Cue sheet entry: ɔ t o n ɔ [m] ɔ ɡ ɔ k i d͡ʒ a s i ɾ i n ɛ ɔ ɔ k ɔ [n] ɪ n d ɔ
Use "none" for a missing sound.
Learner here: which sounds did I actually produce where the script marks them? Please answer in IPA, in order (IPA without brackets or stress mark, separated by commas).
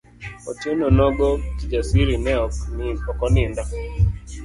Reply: n, n